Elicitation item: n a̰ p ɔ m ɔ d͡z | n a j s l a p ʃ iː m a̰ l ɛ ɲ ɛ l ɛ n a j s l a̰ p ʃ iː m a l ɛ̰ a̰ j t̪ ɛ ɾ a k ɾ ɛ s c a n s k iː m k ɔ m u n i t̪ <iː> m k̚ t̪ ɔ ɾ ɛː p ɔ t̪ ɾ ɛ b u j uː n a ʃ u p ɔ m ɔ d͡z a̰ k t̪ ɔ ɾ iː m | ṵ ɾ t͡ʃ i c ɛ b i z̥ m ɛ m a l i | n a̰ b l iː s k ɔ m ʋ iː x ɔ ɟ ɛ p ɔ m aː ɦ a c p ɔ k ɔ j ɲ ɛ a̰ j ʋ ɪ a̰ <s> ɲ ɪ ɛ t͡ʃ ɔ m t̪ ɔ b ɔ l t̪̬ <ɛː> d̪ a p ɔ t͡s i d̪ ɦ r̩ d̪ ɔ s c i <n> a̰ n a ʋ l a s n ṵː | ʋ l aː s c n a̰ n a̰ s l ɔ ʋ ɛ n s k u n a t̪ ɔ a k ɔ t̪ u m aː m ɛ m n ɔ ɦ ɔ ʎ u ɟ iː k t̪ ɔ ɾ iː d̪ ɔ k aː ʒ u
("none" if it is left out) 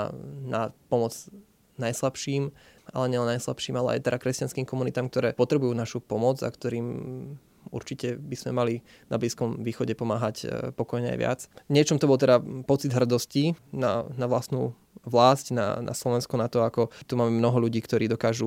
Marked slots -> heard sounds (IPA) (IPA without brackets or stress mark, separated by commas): aː, t͡s, ɛ, n